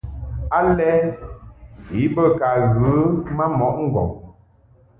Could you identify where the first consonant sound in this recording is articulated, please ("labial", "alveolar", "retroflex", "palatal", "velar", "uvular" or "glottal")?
alveolar